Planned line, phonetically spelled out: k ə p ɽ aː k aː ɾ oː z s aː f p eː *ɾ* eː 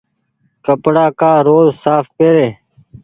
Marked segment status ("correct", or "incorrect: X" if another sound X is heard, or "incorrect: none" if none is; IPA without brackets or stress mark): correct